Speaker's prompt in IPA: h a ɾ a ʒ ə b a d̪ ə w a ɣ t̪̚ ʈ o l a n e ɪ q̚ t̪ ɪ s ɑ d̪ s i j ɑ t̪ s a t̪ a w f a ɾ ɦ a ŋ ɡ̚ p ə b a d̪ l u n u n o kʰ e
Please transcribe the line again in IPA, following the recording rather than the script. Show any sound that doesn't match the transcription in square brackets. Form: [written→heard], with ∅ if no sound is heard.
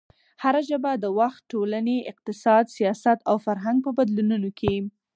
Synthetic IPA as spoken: h a ɾ a ʒ ə b a d̪ ə w a [ɣ→x] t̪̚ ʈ o l a n e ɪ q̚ t̪ ɪ s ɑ d̪ s i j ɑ [t̪→∅] s a t̪ a w f a ɾ ɦ a ŋ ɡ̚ p ə b a d̪ l u n u n o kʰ e